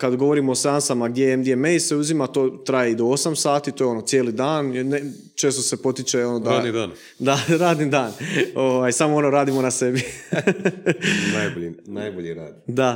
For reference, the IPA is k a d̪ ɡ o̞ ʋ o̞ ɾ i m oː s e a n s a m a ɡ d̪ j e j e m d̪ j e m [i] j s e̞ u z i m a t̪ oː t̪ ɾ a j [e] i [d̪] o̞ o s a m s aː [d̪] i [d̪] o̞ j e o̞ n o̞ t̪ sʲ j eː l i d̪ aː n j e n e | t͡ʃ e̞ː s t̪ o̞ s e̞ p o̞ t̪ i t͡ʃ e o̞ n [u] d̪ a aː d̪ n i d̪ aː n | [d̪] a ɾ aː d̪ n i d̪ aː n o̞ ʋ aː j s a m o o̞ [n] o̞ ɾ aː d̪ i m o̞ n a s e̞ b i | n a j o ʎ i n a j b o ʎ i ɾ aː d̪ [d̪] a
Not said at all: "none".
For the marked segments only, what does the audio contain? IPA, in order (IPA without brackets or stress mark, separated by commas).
e, e, d̪, t̪, t̪, o, d̪, n, d̪